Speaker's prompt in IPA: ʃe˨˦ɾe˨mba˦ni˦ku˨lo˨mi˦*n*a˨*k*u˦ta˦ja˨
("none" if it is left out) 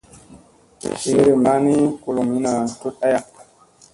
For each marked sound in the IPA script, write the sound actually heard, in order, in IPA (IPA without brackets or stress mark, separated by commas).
n, t